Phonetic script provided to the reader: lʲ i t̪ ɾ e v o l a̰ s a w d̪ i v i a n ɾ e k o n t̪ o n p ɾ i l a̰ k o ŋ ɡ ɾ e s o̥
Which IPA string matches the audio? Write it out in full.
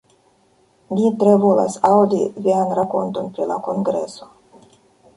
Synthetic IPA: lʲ i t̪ ɾ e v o l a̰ s a w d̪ i v i a n ɾ a k o n t̪ o n p ɾ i l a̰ k o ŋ ɡ ɾ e s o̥

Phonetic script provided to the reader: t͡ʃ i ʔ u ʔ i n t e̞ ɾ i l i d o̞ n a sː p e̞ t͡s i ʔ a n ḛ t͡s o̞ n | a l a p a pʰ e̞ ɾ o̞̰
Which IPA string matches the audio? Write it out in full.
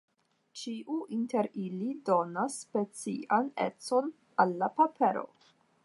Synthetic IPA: t͡ʃ i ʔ u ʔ i n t e̞ ɾ i l i d o̞ n a sː p e̞ t͡s i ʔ a n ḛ t͡s o̞ n | a lː a p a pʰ e̞ ɾ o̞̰

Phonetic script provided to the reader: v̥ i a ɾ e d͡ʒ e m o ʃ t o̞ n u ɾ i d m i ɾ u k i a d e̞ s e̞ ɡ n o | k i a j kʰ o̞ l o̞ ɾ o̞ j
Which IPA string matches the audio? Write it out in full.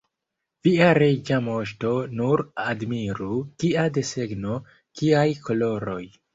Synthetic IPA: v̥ i a ɾ e d͡ʒ a m o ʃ t o̞ n u ɾ a d m i ɾ u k i a d e̞ s e̞ ɡ n o | k i a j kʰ o̞ l o̞ ɾ o̞ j

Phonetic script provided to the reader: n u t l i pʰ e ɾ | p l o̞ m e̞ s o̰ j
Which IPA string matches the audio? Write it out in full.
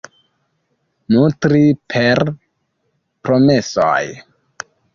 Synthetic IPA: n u t ɾ i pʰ e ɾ | p ɾ o̞ m e̞ s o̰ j

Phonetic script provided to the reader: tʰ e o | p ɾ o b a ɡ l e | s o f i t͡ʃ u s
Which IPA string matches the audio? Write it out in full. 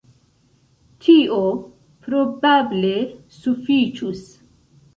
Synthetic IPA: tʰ i o | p ɾ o b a b l e | s u f i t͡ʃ u s

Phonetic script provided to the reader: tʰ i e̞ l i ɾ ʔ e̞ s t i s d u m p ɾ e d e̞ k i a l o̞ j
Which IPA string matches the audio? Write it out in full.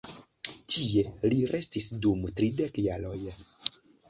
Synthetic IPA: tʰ i e̞ l i ɾ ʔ e̞ s t i s d u m t ɾ i d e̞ k j a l o̞ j

